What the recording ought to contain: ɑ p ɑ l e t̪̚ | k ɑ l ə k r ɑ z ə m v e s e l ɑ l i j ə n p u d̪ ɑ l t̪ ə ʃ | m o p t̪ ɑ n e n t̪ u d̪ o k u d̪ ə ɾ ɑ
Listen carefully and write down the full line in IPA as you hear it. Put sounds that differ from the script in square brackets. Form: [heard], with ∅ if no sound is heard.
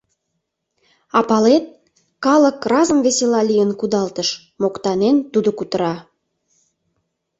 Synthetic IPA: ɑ p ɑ l e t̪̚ | k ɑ l ə k r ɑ z ə m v e s e l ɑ l i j ə n [k] u d̪ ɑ l t̪ ə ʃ | m o [k] t̪ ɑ n e n t̪ u d̪ o k u [t̪] ə ɾ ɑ